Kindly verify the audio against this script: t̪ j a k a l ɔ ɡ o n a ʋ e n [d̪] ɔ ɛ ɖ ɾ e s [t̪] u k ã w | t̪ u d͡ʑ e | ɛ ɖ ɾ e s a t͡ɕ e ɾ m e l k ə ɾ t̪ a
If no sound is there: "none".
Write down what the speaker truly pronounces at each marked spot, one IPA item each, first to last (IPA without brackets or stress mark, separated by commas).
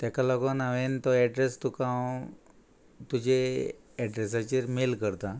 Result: t̪, t̪